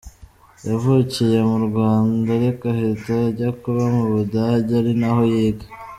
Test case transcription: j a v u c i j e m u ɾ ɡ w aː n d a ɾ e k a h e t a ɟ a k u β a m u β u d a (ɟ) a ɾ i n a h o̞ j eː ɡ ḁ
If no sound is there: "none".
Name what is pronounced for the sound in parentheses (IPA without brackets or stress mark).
ɟ